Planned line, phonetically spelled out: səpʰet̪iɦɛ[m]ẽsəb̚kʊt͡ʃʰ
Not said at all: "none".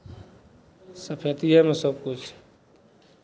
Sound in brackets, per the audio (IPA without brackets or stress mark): m